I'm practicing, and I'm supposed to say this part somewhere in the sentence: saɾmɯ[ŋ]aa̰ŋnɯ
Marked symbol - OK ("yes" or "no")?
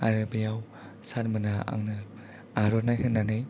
no